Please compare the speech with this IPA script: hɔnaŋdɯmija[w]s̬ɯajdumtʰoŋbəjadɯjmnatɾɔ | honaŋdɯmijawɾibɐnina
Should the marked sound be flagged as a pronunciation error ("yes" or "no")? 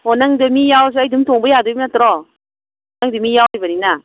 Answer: no